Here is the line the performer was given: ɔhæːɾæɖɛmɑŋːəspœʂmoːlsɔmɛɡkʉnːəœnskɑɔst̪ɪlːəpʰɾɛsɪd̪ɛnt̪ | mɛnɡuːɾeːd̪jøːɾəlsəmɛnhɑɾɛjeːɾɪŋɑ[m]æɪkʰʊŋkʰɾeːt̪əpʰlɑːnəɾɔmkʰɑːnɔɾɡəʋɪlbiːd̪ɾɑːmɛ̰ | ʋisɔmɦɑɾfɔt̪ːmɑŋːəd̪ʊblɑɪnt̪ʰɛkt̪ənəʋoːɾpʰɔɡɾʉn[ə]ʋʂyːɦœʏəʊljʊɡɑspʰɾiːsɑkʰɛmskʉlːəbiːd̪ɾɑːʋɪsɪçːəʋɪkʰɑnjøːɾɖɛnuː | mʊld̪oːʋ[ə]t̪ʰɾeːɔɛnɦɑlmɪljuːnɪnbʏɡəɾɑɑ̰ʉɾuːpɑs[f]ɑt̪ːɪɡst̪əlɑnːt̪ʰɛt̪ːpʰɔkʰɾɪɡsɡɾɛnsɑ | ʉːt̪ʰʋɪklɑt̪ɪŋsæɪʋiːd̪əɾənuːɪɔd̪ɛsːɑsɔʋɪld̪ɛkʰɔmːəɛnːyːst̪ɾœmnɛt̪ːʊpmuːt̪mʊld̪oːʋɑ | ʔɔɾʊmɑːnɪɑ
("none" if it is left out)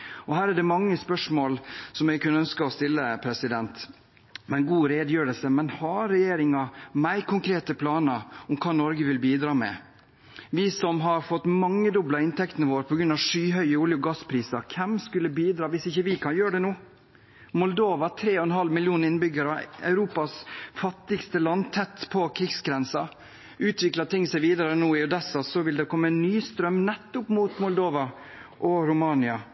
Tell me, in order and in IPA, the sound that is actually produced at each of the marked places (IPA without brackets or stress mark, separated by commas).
m, ɑ, ɑ, f